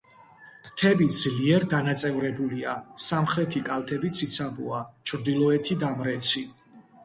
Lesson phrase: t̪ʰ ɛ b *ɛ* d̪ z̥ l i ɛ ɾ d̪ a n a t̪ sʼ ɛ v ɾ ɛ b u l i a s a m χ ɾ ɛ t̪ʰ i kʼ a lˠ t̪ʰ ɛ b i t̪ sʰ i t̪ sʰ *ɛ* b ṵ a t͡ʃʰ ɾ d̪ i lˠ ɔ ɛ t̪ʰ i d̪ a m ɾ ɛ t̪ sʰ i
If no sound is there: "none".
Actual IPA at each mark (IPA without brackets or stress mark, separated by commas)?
i, a